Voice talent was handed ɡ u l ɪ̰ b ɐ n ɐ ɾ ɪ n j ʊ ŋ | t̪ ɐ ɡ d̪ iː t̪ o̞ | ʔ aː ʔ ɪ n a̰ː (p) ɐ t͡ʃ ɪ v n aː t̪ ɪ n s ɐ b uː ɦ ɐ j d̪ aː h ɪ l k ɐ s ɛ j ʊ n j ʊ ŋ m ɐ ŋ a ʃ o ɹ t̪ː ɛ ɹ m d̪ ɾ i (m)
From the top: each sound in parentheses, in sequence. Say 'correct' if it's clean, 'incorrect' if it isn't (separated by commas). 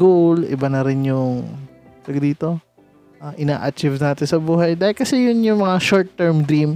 incorrect, correct